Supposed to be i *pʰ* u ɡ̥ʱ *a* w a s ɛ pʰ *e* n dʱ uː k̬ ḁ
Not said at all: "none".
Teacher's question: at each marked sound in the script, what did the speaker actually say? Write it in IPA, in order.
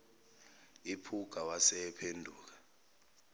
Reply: pʰ, a, e

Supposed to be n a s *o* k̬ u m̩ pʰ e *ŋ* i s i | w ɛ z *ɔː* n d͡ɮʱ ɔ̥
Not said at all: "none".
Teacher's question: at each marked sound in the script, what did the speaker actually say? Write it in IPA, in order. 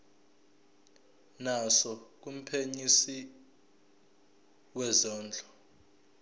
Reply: ɔ, ɲ, ɔː

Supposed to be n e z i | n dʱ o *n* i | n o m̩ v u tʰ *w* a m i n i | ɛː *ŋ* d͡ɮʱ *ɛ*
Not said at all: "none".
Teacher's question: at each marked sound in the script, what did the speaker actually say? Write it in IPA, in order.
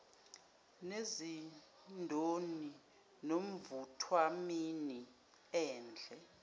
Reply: n, w, n, ɛ

